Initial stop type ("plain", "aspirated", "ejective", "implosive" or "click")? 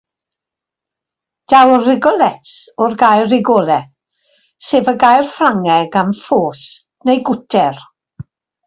plain